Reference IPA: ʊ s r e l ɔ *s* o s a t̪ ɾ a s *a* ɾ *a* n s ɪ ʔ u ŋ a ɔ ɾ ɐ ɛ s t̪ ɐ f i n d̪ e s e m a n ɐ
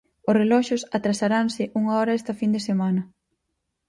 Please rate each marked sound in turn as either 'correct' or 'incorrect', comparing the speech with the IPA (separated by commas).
incorrect, correct, correct